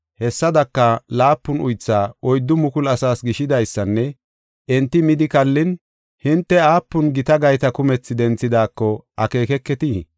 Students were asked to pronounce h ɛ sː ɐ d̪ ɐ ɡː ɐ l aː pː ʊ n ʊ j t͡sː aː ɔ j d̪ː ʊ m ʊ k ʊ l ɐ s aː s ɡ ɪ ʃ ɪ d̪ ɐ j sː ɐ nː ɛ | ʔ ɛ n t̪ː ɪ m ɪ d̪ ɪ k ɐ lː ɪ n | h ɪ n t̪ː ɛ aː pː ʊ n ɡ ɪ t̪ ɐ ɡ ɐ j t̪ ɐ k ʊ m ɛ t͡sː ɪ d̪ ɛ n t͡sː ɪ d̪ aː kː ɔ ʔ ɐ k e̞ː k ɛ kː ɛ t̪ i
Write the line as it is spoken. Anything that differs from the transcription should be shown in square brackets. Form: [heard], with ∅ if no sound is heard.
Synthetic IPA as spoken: h ɛ sː ɐ d̪ ɐ [kː] ɐ l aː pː ʊ n ʊ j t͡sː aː ɔ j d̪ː ʊ m ʊ k ʊ l ɐ s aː s ɡ ɪ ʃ ɪ d̪ ɐ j sː ɐ nː ɛ | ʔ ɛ n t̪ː ɪ m ɪ d̪ ɪ k ɐ lː ɪ n | h ɪ n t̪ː ɛ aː pː ʊ n ɡ ɪ t̪ ɐ ɡ ɐ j t̪ ɐ k ʊ m ɛ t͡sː ɪ d̪ ɛ n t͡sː ɪ d̪ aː kː ɔ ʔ ɐ k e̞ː k ɛ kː ɛ t̪ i